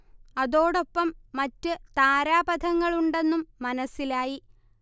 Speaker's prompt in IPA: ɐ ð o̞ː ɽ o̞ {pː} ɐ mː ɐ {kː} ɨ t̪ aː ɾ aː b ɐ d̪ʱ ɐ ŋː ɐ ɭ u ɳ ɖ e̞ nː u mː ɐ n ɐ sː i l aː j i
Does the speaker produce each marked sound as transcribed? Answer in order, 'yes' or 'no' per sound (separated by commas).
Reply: yes, no